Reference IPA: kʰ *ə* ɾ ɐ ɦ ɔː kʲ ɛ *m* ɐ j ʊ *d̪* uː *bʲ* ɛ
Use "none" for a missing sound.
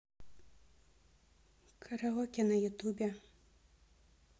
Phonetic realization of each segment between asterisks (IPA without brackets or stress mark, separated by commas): ɐ, n, t̪, bʲ